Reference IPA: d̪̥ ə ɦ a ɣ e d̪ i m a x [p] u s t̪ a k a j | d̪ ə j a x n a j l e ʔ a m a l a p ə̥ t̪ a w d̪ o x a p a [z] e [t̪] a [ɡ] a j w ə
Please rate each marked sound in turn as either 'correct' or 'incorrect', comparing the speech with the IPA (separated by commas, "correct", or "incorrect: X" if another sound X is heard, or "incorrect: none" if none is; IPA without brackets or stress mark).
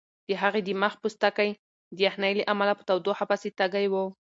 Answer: correct, incorrect: s, correct, correct